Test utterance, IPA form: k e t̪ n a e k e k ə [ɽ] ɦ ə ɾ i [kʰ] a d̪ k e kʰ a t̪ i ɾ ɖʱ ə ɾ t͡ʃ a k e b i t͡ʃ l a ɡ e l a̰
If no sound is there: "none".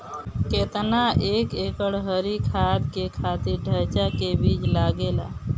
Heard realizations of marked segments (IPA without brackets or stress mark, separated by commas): ɽ, kʰ